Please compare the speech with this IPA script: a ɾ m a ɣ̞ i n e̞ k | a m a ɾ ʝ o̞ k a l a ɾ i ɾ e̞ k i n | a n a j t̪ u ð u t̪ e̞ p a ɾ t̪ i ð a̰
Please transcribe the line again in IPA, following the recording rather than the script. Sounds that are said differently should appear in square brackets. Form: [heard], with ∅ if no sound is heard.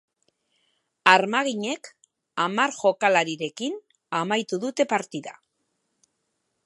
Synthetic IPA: a ɾ m a ɣ̞ i [ɲ] e̞ k | a m a ɾ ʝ o̞ k a l a ɾ i ɾ e̞ k i n | a [m] a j t̪ u ð u t̪ e̞ p a ɾ t̪ i ð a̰